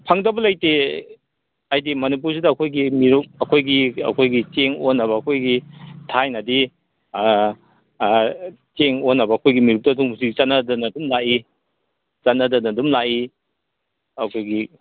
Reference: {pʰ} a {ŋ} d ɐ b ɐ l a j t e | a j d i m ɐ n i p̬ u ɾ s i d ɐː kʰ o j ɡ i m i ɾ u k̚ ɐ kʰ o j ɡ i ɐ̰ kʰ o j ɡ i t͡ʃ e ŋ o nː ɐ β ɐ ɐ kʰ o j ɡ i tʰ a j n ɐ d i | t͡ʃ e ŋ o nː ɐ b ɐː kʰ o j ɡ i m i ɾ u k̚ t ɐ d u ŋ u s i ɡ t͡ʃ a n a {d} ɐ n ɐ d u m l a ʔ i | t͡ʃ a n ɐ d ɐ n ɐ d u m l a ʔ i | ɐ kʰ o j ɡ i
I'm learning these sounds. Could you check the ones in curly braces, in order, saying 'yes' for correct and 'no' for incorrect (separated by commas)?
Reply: yes, yes, yes